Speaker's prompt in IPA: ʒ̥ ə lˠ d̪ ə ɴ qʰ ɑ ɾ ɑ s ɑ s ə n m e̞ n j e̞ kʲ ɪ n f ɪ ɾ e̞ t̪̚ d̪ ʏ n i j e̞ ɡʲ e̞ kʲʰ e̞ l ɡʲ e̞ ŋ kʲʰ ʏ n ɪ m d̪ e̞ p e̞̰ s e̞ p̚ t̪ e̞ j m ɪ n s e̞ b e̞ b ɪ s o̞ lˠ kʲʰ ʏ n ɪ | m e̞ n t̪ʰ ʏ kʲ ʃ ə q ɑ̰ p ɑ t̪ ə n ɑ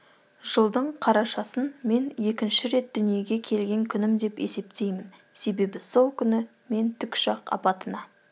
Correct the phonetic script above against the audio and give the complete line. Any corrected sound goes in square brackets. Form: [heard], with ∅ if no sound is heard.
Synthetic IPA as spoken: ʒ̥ ə lˠ d̪ ə ɴ qʰ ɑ ɾ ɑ [ʃ] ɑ s ə n m e̞ n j e̞ kʲ ɪ n [ʃ] ɪ ɾ e̞ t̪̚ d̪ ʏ n i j e̞ ɡʲ e̞ kʲʰ e̞ l ɡʲ e̞ ŋ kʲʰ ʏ n ɪ m d̪ e̞ p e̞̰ s e̞ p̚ t̪ e̞ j m ɪ n s e̞ b e̞ b ɪ s o̞ lˠ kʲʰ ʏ n ɪ | m e̞ n t̪ʰ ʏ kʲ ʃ [ɑ] q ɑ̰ p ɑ t̪ ə n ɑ

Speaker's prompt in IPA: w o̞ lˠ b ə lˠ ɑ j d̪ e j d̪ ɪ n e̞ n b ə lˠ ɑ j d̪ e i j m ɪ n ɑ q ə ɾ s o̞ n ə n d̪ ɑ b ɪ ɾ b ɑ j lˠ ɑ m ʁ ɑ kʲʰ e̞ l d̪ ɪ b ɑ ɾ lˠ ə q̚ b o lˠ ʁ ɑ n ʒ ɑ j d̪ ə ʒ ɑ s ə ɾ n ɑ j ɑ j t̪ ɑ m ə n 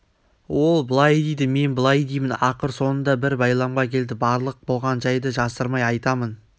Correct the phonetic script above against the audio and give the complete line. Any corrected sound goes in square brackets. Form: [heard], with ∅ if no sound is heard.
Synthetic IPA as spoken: w o̞ lˠ b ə lˠ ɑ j d̪ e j d̪ ɪ [m] e̞ n b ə lˠ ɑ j d̪ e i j m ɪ n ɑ q ə ɾ s o̞ n ə n d̪ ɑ b ɪ ɾ b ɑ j lˠ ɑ m ʁ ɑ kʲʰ e̞ l d̪ ɪ b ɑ ɾ lˠ ə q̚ b o lˠ ʁ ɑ n ʒ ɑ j d̪ ə ʒ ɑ s ə ɾ [m] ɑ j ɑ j t̪ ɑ m ə n

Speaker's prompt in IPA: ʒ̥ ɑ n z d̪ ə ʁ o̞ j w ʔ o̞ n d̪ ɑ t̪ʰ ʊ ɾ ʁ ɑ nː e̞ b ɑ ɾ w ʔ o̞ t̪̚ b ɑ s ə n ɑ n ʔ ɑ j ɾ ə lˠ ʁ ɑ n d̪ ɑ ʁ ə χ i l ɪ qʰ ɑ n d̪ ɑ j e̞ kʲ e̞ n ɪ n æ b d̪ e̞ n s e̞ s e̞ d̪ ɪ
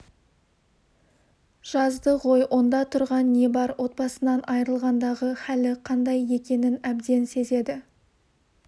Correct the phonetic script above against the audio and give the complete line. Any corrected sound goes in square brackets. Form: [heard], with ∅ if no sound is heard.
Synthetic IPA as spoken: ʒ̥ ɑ [∅] z d̪ ə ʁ o̞ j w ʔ o̞ n d̪ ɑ t̪ʰ ʊ ɾ ʁ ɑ nː e̞ b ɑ ɾ w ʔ o̞ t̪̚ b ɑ s ə n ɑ n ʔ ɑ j ɾ ə lˠ ʁ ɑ n d̪ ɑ ʁ ə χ [æ] l ɪ qʰ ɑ n d̪ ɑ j e̞ kʲ e̞ n ɪ n æ b d̪ e̞ n s e̞ [z] e̞ d̪ ɪ

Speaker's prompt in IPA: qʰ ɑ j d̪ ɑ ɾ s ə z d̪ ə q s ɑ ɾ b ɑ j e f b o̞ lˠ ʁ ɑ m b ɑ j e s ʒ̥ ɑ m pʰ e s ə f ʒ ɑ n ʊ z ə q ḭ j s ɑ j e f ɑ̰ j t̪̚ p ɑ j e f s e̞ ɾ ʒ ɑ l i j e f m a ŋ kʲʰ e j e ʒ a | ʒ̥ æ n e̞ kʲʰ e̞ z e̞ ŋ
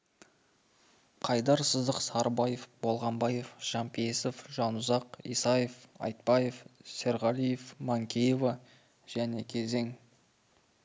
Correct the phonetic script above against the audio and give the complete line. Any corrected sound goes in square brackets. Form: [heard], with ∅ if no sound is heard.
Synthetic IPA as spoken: qʰ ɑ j d̪ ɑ ɾ s ə z d̪ ə q s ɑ ɾ b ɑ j e f b o̞ lˠ ʁ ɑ m b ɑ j e [f] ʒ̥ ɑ m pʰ e s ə f ʒ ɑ n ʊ z [ɑ] q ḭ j s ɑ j e f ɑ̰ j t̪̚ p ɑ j e f s e̞ ɾ [ʁ] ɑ l i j e f m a ŋ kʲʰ e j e [v] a | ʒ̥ æ n e̞ kʲʰ e̞ z e̞ ŋ

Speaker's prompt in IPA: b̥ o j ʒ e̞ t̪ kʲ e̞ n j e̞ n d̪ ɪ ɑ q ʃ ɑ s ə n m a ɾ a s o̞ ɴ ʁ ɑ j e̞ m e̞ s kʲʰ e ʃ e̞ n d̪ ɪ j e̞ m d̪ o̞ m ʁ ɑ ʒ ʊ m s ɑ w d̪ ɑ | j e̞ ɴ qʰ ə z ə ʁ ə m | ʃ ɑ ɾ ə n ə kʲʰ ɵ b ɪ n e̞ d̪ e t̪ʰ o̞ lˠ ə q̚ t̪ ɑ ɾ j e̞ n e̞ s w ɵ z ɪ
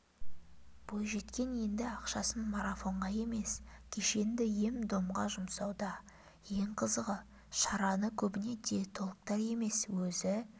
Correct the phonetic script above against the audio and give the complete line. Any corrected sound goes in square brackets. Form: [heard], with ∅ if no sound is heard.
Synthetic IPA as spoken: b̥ o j ʒ e̞ t̪ kʲ e̞ n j e̞ n d̪ ɪ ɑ q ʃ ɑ s ə n m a ɾ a [f] o̞ ɴ ʁ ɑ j e̞ m e̞ s kʲʰ e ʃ e̞ n d̪ ɪ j e̞ m d̪ o̞ m ʁ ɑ ʒ ʊ m s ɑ w d̪ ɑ | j e̞ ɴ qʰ ə z ə ʁ ə [∅] | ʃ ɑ ɾ [ɑ] n ə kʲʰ ɵ b ɪ n e̞ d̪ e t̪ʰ o̞ lˠ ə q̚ t̪ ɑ ɾ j e̞ [m] e̞ s w ɵ z ɪ

